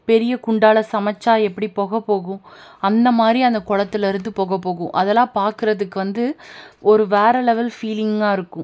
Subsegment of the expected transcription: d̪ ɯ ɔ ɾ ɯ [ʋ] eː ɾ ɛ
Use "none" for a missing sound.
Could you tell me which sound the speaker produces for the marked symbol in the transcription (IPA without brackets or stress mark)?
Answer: ʋ